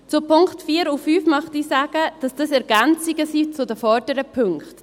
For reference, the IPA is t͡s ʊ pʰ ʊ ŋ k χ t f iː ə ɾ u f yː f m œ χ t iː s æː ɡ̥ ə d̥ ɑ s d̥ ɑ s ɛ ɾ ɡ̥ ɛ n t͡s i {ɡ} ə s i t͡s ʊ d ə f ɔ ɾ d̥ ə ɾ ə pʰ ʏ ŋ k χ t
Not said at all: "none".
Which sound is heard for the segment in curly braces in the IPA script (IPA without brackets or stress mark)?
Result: ɡ